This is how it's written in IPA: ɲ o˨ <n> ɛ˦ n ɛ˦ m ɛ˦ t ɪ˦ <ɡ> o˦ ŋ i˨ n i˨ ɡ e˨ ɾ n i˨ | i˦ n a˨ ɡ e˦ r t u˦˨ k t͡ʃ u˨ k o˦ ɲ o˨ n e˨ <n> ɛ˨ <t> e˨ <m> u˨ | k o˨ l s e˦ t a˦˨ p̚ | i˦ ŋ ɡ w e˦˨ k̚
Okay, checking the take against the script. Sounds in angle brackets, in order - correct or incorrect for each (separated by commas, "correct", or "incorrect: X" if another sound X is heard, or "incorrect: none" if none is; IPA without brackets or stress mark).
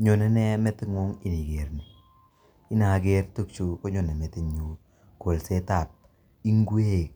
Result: correct, incorrect: ŋ, incorrect: m, correct, incorrect: ɲ